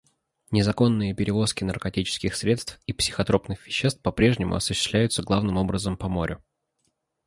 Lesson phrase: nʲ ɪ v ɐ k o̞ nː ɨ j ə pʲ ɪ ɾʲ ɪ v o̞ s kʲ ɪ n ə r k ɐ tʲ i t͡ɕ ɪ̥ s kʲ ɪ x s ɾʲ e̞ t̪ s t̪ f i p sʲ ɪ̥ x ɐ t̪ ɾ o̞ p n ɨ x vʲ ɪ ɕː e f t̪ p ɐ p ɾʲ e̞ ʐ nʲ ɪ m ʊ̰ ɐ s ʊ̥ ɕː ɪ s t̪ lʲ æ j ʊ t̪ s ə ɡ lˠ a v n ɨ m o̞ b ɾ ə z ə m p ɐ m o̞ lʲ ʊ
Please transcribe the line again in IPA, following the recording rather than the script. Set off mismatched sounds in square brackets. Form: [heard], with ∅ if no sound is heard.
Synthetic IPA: nʲ ɪ [z] ɐ k o̞ nː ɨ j ə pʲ ɪ ɾʲ ɪ v o̞ s kʲ ɪ n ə r k ɐ tʲ i t͡ɕ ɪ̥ s kʲ ɪ x s ɾʲ e̞ t̪ s t̪ f i p sʲ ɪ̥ x ɐ t̪ ɾ o̞ p n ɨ x vʲ ɪ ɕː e [s] t̪ p ɐ p ɾʲ e̞ ʐ nʲ ɪ m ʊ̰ ɐ s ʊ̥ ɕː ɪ s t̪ lʲ æ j ʊ t̪ s ə ɡ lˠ a v n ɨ m o̞ b ɾ ə z ə m p ɐ m o̞ [ɾʲ] ʊ